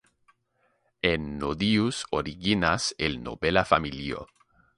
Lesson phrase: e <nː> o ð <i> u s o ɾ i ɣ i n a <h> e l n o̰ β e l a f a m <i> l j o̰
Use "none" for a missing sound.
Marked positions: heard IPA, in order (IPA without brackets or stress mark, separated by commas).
nː, i, s, i